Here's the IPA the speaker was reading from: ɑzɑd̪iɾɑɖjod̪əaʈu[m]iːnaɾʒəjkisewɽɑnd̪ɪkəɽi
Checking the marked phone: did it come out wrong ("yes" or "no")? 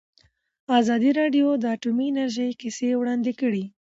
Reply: no